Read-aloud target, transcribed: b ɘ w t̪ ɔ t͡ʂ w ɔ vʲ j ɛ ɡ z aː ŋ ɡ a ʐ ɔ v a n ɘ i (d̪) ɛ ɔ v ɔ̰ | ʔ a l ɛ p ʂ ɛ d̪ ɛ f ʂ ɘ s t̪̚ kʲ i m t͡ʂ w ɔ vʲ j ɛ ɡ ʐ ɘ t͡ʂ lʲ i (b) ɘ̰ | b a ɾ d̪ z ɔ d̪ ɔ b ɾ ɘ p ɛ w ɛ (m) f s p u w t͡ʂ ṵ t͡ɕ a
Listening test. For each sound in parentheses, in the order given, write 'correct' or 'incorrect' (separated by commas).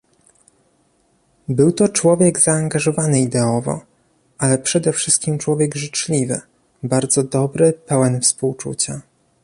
correct, incorrect, incorrect